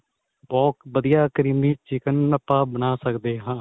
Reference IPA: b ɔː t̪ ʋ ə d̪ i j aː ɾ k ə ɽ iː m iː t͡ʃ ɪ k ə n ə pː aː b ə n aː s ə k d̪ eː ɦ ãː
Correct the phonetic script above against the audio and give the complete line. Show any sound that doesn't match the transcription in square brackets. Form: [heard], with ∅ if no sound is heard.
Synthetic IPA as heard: b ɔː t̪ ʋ ə d̪ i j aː [∅] k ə [ɾ] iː m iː t͡ʃ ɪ k ə n ə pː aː b ə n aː s ə k d̪ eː ɦ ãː